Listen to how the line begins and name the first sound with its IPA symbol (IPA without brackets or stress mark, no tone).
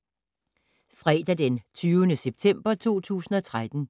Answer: f